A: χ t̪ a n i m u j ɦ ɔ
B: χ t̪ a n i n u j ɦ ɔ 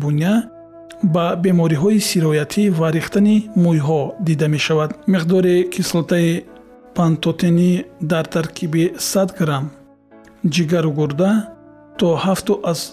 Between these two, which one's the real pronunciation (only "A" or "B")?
A